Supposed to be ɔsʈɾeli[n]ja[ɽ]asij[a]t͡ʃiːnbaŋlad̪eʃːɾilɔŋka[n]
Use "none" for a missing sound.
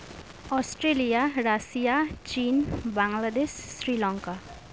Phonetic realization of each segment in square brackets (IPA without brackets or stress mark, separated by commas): none, ɾ, a, none